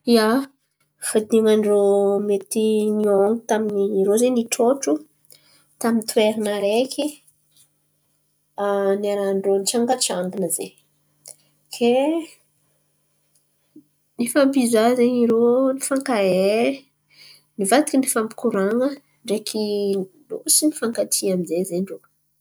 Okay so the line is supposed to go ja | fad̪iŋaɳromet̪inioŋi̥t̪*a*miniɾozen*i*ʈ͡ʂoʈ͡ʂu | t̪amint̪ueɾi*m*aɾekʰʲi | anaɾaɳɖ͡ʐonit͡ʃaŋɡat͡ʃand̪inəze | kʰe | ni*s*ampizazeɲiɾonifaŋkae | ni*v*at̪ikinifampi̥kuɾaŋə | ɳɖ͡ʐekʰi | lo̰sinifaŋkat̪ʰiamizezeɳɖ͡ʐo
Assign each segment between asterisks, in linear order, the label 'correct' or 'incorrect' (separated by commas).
correct, correct, incorrect, incorrect, correct